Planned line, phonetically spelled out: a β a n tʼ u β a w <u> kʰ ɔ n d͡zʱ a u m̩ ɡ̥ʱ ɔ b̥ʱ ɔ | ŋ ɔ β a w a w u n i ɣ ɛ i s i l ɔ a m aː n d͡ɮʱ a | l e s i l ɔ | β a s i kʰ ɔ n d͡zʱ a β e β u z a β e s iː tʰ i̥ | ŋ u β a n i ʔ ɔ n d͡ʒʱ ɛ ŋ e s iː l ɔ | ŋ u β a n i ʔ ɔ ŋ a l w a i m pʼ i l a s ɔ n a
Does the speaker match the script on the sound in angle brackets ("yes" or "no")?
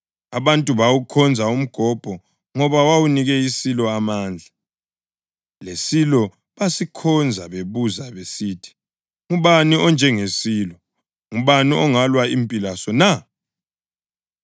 yes